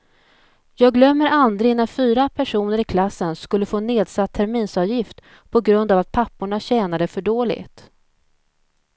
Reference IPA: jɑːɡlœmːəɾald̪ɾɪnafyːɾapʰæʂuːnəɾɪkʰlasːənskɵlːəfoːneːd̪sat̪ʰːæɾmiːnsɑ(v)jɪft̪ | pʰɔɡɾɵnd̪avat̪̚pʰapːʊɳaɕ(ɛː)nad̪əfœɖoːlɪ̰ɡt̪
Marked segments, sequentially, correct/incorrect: correct, correct

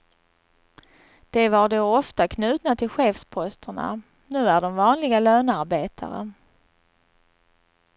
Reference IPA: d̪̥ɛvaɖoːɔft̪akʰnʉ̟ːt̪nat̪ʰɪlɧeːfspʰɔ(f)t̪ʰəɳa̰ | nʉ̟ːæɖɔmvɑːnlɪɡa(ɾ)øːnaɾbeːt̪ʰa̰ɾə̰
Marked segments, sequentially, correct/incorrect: incorrect: s, incorrect: l

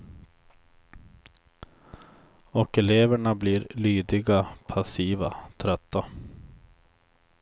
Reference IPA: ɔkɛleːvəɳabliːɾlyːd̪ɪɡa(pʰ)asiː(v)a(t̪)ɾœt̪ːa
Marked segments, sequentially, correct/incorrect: correct, correct, incorrect: t̪ʰ

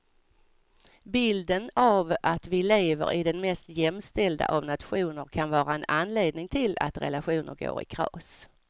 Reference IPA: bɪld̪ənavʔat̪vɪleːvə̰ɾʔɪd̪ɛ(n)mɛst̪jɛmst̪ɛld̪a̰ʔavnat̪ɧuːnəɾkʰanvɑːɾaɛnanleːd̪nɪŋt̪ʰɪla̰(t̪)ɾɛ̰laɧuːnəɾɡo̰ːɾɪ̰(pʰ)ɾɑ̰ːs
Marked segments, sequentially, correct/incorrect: correct, correct, incorrect: kʰ

